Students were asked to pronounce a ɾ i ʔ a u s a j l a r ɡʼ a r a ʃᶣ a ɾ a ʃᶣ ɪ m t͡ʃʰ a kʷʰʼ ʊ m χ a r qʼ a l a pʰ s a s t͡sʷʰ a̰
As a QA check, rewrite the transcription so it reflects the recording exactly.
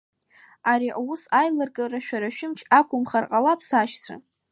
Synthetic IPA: a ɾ i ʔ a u s a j l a r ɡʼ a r a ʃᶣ a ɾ a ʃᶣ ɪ m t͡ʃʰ a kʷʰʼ ʊ m χ a r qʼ a l a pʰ s a ʃ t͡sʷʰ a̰